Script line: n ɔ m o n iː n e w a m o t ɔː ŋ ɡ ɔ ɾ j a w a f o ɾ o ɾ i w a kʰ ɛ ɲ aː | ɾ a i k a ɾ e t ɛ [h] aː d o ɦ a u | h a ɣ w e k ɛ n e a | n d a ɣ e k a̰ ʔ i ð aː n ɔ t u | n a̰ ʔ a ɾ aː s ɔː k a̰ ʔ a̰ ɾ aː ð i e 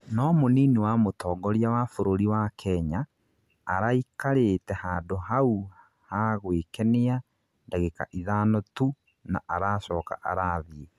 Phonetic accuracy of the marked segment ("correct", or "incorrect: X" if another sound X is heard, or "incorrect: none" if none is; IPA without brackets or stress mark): correct